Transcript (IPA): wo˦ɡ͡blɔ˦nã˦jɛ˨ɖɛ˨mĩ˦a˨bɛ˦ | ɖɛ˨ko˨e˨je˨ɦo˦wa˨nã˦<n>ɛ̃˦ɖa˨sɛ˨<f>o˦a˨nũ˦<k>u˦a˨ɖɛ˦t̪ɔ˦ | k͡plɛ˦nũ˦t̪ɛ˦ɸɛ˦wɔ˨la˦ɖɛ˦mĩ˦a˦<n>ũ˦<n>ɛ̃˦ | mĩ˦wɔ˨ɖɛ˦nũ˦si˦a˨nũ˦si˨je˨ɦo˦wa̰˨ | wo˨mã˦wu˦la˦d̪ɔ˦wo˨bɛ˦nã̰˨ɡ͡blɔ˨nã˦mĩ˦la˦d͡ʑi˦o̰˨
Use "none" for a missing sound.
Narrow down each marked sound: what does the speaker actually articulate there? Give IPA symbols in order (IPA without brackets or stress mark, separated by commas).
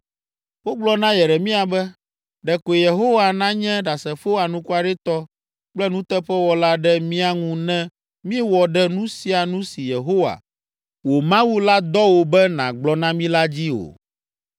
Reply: ɲ, f, k, ŋ, n